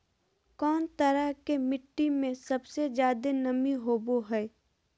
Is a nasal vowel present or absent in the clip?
present